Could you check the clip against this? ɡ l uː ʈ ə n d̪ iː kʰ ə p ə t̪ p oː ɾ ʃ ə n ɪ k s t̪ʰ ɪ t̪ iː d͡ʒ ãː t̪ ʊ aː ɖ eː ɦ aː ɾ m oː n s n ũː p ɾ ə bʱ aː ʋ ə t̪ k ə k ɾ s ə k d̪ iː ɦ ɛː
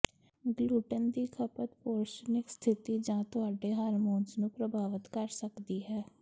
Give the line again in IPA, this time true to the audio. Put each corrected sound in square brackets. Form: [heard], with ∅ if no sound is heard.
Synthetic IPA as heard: ɡ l uː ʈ ə n d̪ iː kʰ ə p ə t̪ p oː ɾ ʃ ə n ɪ k s t̪ʰ ɪ t̪ iː d͡ʒ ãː t̪ ʊ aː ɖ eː ɦ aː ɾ m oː n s n ũː p ɾ ə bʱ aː ʋ ə t̪ k ə [∅] ɾ s ə k d̪ iː ɦ ɛː

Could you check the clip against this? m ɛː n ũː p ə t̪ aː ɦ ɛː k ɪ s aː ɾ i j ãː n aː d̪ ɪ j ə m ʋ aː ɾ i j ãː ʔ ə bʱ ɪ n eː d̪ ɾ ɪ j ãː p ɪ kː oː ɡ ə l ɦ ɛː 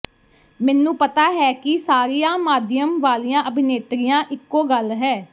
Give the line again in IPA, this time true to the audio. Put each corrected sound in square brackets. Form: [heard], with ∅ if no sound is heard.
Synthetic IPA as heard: m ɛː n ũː p ə t̪ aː ɦ ɛː k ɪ s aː ɾ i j ãː [m] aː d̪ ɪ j ə m ʋ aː [l] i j ãː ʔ ə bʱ ɪ n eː [t̪] ɾ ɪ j ãː [ʔ] ɪ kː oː ɡ ə l ɦ ɛː

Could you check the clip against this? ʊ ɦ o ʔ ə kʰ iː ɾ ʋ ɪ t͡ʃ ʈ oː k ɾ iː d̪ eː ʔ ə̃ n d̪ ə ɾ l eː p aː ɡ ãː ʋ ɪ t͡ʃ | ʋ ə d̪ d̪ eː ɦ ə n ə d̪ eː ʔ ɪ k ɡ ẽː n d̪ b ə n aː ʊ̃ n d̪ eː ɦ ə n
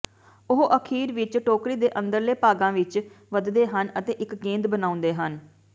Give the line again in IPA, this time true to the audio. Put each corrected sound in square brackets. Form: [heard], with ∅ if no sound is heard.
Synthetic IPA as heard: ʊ ɦ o ʔ ə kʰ iː ɾ ʋ ɪ t͡ʃ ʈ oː k ɾ iː d̪ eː ʔ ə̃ n d̪ ə ɾ l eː p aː ɡ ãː ʋ ɪ t͡ʃ | ʋ ə d̪ d̪ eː ɦ ə n ə [t̪] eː ʔ ɪ k ɡ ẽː n d̪ b ə n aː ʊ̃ n d̪ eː ɦ ə n

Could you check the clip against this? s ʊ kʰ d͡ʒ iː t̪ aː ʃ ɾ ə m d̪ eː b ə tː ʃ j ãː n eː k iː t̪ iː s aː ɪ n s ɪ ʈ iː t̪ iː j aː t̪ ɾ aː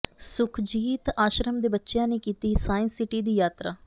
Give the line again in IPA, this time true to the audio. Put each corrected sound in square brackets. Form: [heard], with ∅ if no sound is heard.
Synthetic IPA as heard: s ʊ kʰ d͡ʒ iː t̪ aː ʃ ɾ ə m d̪ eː b ə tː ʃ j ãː n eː k iː t̪ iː s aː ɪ n s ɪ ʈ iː [d̪] iː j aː t̪ ɾ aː

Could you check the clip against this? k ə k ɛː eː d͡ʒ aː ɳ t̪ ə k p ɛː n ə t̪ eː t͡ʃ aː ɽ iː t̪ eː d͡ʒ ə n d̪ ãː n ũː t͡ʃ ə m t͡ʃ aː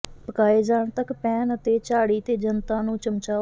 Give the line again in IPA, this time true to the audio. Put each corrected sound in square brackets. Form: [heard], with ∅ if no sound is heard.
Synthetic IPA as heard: [p] ə k [aː] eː d͡ʒ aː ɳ t̪ ə k p ɛː n ə t̪ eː t͡ʃ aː ɽ iː t̪ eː d͡ʒ ə n [t̪] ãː n ũː t͡ʃ ə m t͡ʃ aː

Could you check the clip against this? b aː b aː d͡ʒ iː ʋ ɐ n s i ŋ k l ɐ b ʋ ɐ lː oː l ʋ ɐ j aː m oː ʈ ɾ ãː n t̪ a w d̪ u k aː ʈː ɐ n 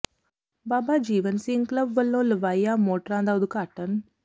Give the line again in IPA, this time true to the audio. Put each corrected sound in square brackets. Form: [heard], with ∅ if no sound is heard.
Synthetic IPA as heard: b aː b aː d͡ʒ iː ʋ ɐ n s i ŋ k l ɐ b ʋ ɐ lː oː l ʋ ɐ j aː m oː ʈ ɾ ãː n [d̪] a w d̪ u k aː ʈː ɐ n

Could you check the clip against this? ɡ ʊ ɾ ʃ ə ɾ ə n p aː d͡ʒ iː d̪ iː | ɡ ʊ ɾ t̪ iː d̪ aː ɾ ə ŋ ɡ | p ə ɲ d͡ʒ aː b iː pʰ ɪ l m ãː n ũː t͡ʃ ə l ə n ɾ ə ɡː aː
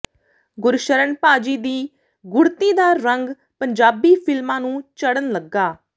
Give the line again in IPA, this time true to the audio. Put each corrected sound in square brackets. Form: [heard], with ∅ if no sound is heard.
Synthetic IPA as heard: ɡ ʊ ɾ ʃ ə ɾ ə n p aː d͡ʒ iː d̪ iː | ɡ ʊ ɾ t̪ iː d̪ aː ɾ ə ŋ ɡ | p ə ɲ d͡ʒ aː b iː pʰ ɪ l m ãː n ũː t͡ʃ ə [ɽ] ə n [l] ə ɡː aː

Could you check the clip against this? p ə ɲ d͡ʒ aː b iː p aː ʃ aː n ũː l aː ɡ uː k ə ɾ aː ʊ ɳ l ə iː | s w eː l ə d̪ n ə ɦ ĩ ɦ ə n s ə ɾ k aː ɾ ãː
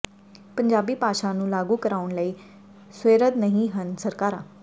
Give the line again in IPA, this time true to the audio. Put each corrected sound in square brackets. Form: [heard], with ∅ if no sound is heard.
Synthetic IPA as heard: p ə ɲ d͡ʒ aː b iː p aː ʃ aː n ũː l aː ɡ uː k ə ɾ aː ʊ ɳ l ə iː | s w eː [ɾ] ə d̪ n ə ɦ ĩ ɦ ə n s ə ɾ k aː ɾ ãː

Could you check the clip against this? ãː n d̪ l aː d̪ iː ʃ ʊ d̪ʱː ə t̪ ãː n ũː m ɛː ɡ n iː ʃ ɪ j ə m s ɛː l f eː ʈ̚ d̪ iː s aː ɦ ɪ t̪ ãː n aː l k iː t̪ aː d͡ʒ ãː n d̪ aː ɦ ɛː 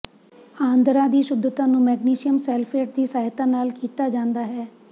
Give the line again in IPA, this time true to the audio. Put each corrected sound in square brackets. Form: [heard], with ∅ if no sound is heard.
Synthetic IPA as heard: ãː n d̪ [ɾ] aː d̪ iː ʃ ʊ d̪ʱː ə t̪ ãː n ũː m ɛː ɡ n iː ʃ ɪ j ə m s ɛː l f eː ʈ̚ d̪ iː s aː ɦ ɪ t̪ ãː n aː l k iː t̪ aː d͡ʒ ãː n d̪ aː ɦ ɛː

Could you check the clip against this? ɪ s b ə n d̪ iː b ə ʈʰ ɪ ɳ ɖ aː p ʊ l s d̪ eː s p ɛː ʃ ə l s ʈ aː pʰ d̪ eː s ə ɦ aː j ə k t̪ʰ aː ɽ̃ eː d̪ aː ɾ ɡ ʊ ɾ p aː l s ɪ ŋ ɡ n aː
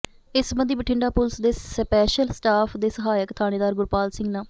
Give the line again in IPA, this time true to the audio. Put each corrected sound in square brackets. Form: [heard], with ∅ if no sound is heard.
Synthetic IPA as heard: ɪ s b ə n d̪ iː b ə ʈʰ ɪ ɳ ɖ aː p ʊ l s d̪ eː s p ɛː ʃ ə l s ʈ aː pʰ d̪ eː s ə ɦ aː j ə k t̪ʰ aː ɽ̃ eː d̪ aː ɾ ɡ ʊ ɾ p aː l s ɪ ŋ ɡ n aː

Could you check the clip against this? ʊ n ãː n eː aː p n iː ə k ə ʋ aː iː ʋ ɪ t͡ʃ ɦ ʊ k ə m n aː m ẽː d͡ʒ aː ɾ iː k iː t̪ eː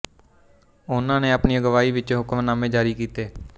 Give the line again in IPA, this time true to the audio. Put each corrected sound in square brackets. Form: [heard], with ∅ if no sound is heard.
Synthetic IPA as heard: ʊ n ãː n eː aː p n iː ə [ɡ] ə ʋ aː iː ʋ ɪ t͡ʃ ɦ ʊ k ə m n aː m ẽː d͡ʒ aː ɾ iː k iː t̪ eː

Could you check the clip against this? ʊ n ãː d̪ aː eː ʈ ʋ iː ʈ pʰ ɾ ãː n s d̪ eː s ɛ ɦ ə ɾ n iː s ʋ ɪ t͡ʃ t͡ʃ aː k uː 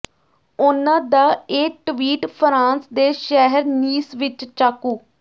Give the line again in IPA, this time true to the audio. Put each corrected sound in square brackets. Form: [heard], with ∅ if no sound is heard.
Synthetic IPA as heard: ʊ n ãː d̪ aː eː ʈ ʋ iː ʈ pʰ ɾ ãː n s d̪ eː [ʃ] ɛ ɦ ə ɾ n iː s ʋ ɪ t͡ʃ t͡ʃ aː k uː

